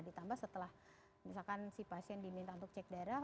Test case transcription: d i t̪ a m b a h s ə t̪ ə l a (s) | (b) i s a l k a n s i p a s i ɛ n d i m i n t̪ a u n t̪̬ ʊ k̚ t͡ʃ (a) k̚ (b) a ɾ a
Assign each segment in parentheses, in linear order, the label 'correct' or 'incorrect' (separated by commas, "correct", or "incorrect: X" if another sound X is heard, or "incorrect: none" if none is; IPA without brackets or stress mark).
incorrect: h, incorrect: m, incorrect: ɛ, incorrect: d